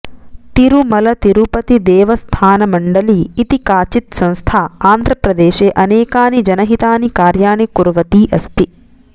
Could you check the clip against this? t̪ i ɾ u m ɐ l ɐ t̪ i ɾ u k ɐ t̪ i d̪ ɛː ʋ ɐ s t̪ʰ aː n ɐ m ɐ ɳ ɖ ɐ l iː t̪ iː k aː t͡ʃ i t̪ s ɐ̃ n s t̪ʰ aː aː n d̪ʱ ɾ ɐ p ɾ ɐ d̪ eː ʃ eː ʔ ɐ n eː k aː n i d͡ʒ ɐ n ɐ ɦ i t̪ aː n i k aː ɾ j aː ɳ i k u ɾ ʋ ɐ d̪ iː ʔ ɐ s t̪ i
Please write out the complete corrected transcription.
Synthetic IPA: t̪ i ɾ u m ɐ l ɐ t̪ i ɾ u p ɐ t̪ i d̪ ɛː ʋ ɐ s t̪ʰ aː n ɐ m ɐ ɳ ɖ ɐ l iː t̪ i k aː t͡ʃ i t̪ s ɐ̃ n s t̪ʰ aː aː n d̪ʱ ɾ ɐ p ɾ ɐ d̪ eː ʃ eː ʔ ɐ n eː k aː n i d͡ʒ ɐ n ɐ ɦ i t̪ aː n i k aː ɾ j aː ɳ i k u ɾ ʋ ɐ t̪ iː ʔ ɐ s t̪ i